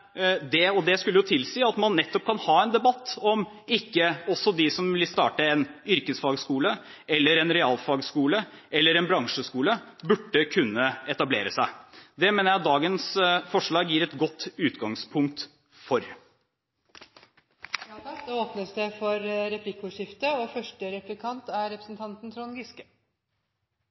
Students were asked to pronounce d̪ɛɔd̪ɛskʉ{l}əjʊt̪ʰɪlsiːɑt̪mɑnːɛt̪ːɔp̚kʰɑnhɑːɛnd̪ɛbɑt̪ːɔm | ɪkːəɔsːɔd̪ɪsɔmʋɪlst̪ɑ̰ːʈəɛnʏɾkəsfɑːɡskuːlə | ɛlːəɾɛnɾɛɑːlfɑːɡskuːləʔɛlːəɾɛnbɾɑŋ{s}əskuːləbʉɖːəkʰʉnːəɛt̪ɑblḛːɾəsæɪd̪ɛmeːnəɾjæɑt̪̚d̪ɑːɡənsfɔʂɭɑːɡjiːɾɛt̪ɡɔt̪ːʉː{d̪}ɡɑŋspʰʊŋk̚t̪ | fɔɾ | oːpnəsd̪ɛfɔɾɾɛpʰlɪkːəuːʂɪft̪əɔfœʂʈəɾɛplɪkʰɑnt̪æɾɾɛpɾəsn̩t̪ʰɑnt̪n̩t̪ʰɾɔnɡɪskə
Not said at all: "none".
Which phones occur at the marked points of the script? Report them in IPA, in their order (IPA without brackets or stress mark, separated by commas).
lː, ʂ, t̪